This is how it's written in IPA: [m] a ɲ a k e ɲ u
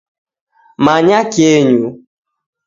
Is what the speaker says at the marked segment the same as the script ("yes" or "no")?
yes